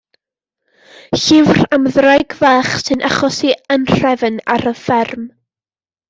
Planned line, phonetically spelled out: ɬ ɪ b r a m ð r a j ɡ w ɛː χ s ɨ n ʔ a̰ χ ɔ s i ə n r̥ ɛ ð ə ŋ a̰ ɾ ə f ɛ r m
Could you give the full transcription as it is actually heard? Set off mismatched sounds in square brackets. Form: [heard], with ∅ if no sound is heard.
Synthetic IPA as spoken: ɬ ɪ [v] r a m ð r a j ɡ [v] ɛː χ s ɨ n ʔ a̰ χ ɔ s i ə n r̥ ɛ [v] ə [n] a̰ ɾ ə f ɛ r m